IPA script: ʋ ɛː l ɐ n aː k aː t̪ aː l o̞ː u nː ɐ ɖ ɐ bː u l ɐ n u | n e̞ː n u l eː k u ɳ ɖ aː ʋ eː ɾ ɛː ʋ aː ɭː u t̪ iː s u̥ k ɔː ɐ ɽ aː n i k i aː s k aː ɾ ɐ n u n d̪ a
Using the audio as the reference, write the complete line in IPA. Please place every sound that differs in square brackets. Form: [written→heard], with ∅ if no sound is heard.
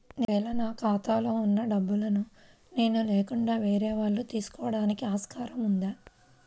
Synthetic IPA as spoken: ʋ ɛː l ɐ n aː k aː t̪ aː l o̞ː u nː ɐ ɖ ɐ bː u l ɐ n u | n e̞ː n u l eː k u ɳ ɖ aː ʋ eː ɾ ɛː ʋ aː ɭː u t̪ iː s u̥ k ɔː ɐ ɽ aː n i k i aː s k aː ɾ ɐ [n→m] u n d̪ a